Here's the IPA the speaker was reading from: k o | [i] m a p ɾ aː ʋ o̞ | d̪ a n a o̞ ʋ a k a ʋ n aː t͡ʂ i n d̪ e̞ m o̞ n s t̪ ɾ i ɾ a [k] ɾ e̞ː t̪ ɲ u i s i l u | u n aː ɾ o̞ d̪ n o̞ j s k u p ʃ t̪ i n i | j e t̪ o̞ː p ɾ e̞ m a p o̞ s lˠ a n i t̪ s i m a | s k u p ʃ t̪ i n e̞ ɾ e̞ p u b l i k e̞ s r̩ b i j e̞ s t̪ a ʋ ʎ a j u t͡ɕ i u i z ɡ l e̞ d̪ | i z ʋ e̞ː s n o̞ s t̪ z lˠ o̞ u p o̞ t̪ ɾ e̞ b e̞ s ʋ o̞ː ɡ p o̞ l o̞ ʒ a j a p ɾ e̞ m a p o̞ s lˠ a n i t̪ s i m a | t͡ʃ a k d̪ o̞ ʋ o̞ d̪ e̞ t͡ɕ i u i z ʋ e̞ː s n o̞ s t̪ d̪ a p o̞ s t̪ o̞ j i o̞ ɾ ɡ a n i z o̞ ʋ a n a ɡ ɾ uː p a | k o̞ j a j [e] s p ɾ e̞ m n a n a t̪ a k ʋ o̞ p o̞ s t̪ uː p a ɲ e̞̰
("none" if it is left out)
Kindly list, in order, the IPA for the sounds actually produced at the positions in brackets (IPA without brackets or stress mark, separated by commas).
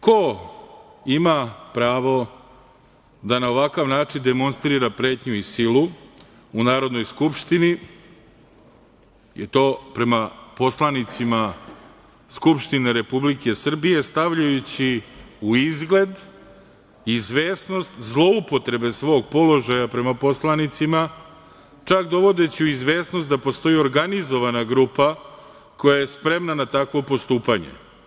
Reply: i, p, e